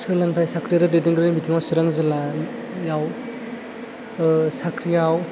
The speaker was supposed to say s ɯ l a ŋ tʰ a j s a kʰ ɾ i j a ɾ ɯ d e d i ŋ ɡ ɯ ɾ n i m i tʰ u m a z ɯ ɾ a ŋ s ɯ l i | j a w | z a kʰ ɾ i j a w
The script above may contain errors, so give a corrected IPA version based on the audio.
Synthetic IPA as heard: s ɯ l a ŋ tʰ a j s a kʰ ɾ i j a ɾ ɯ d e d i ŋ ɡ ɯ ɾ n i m i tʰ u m a s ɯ ɾ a ŋ z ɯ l a | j a w | s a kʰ ɾ i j a w